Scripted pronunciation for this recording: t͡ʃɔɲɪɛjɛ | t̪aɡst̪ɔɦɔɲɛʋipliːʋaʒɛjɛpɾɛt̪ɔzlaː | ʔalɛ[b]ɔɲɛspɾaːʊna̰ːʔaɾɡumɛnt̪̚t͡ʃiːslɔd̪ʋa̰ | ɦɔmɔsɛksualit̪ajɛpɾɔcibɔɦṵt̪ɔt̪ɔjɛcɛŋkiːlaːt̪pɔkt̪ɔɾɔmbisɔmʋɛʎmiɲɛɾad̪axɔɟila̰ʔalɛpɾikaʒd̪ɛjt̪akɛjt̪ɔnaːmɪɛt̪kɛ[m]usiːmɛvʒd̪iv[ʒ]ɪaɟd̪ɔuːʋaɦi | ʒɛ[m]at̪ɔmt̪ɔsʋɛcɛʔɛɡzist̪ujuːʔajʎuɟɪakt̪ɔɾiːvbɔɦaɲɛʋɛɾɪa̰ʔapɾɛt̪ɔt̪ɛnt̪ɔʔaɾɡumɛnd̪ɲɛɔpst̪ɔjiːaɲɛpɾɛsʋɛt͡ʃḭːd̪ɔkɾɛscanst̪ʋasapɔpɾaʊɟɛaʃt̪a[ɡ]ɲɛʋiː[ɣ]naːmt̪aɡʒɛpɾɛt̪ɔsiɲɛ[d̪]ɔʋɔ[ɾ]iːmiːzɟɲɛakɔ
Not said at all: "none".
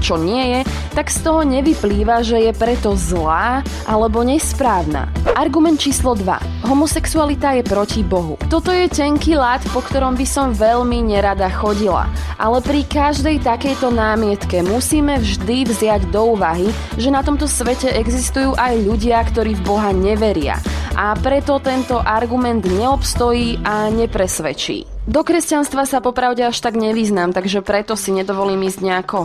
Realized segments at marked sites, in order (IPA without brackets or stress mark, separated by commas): b, m, z, n, ɡ, z, d̪, l